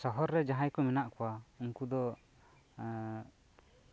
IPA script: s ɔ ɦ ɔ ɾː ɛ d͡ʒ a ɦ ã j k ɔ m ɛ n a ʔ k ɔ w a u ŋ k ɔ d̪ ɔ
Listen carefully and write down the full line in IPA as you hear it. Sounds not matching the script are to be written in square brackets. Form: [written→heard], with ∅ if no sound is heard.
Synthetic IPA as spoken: s ɔ ɦ ɔ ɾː ɛ d͡ʒ a ɦ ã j k ɔ m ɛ n a ʔ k ɔ w a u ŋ k [ɔ→u] d̪ ɔ